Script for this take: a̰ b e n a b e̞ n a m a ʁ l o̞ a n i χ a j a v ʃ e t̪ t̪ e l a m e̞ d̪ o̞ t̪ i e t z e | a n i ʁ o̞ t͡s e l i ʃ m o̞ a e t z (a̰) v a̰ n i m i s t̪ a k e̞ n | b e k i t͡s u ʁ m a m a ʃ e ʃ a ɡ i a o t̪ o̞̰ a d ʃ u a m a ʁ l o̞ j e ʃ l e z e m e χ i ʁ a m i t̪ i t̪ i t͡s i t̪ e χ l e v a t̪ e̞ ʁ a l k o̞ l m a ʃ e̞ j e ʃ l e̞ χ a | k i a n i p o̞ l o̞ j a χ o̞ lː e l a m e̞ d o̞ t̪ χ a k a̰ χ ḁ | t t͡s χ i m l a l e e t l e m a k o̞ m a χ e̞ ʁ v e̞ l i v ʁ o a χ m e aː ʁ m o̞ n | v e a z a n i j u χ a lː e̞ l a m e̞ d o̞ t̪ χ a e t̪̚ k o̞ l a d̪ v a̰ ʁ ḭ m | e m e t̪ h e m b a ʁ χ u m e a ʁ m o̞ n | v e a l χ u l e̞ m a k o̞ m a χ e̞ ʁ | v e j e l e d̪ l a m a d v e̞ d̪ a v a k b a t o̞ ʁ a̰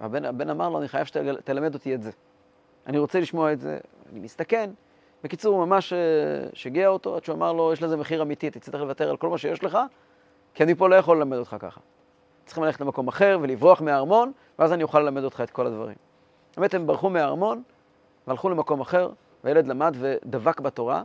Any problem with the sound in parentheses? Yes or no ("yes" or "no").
yes